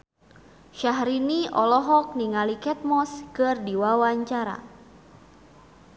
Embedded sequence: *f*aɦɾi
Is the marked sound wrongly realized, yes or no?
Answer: yes